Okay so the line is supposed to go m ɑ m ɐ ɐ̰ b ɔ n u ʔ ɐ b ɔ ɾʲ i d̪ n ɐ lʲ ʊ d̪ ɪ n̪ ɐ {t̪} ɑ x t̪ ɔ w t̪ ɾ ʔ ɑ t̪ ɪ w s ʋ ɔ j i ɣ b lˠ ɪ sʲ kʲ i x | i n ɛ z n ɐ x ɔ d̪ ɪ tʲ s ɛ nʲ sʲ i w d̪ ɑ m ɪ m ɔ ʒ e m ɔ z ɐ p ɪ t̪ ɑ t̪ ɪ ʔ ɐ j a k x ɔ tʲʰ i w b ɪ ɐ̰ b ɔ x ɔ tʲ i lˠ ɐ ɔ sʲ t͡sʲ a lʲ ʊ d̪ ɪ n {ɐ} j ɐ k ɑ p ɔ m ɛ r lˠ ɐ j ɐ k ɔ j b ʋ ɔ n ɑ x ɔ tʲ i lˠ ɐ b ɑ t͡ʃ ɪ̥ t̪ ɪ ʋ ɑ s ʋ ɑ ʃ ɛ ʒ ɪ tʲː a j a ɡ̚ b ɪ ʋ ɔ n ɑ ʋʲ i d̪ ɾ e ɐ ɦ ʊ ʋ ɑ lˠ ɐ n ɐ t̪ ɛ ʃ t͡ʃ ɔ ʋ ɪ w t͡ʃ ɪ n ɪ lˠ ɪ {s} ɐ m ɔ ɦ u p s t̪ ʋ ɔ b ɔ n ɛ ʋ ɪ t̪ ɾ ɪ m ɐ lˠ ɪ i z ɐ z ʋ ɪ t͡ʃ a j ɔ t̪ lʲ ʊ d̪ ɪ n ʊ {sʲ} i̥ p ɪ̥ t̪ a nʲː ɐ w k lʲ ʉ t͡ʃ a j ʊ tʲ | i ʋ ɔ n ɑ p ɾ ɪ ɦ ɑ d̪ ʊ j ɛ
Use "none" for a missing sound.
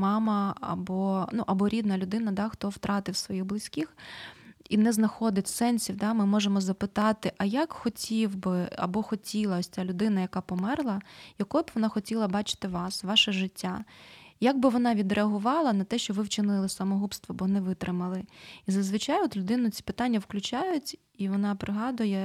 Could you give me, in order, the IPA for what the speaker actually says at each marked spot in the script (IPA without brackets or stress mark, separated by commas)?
d̪, ɐ, s, t͡sʲ